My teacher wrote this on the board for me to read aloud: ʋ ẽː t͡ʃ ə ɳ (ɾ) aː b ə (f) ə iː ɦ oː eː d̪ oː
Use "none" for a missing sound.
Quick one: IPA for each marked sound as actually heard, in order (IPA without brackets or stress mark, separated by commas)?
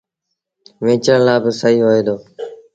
l, s